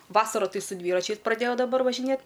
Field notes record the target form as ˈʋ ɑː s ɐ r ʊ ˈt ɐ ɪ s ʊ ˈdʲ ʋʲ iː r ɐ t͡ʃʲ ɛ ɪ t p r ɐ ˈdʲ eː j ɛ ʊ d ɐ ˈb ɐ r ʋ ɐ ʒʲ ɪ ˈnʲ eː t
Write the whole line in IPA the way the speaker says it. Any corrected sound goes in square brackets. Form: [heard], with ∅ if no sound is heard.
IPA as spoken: ˈʋ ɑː s ɐ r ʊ ˈt ɐ ɪ s ʊ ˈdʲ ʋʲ iː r ɐ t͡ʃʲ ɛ ɪ [s] p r ɐ ˈdʲ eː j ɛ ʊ d ɐ ˈb ɐ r ʋ ɐ ʒʲ ɪ ˈnʲ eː t